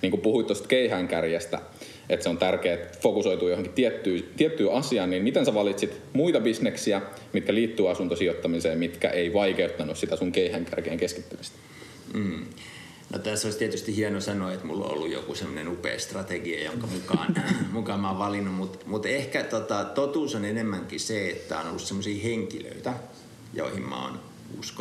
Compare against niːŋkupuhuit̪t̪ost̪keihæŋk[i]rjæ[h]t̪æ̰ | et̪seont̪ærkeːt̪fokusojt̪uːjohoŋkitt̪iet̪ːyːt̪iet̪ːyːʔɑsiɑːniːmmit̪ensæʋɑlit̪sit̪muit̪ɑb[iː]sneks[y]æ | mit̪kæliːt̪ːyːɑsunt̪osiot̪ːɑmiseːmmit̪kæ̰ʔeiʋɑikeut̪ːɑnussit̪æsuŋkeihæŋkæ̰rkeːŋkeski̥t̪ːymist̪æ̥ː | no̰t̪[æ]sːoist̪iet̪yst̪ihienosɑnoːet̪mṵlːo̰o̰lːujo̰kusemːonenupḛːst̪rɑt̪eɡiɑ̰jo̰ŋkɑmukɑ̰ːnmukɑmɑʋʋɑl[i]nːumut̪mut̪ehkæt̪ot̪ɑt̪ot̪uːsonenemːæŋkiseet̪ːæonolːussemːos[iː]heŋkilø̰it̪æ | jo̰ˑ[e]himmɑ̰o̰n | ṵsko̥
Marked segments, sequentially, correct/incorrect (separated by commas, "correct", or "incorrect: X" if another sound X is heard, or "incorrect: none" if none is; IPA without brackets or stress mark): incorrect: æ, incorrect: s, incorrect: i, incorrect: i, correct, correct, correct, incorrect: i